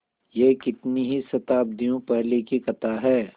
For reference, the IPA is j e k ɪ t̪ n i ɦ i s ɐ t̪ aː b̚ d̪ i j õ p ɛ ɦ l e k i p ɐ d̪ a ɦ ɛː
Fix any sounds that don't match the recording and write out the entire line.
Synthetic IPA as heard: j e k ɪ t̪ n i ɦ i s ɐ t̪ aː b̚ d̪ i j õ p ɛ ɦ l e k i k ɐ t̪ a ɦ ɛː